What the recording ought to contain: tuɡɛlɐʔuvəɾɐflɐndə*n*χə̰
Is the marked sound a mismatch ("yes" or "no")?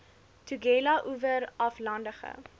yes